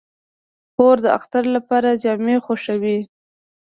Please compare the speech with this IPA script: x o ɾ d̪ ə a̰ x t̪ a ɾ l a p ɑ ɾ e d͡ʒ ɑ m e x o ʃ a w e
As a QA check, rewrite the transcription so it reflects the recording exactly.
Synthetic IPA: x o ɾ d̪ ə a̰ x t̪ a ɾ l a p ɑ ɾ a d͡ʒ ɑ m e x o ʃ a w i